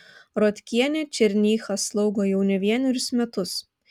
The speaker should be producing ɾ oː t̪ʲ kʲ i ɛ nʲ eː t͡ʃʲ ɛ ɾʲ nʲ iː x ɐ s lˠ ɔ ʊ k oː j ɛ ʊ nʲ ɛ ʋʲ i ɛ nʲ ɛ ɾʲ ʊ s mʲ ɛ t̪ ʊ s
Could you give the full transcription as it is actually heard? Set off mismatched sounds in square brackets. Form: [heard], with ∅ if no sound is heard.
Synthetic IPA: ɾ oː t̪ʲ kʲ i ɛ nʲ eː t͡ʃʲ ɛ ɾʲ nʲ iː x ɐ s lˠ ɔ ʊ [ɡ] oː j ɛ ʊ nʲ ɛ ʋʲ i ɛ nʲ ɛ ɾʲ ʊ s mʲ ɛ t̪ ʊ s